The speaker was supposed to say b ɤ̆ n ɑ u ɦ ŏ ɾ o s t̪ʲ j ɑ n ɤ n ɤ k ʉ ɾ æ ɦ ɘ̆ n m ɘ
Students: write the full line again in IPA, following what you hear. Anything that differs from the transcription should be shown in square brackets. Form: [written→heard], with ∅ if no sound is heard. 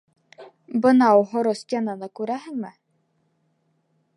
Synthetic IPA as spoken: b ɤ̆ n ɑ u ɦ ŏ ɾ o s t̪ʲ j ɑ n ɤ n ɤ k ʉ ɾ æ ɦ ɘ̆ [n→ŋ] m ɘ